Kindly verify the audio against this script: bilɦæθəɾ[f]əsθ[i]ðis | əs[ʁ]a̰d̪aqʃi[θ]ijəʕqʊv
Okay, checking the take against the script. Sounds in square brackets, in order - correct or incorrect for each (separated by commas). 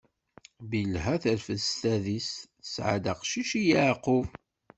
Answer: correct, incorrect, incorrect, incorrect